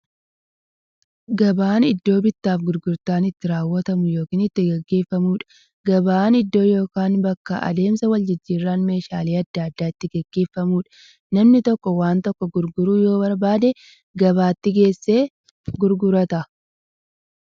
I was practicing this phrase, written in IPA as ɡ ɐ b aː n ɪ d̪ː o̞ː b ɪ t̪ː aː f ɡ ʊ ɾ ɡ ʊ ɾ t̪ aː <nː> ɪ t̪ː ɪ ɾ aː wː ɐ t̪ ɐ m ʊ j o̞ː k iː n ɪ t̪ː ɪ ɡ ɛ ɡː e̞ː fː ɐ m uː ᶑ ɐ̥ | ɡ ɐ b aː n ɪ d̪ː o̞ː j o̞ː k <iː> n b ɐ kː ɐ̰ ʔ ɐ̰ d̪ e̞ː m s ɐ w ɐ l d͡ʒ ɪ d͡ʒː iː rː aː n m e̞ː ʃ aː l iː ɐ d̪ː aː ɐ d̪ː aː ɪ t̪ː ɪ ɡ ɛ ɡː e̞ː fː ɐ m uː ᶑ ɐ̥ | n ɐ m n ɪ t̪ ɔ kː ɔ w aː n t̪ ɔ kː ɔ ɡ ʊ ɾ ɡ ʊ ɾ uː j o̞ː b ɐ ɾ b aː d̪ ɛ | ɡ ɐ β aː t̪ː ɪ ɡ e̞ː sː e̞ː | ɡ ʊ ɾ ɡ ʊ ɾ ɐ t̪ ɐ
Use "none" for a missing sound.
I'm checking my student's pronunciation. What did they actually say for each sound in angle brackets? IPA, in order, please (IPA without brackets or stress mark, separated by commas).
n, aː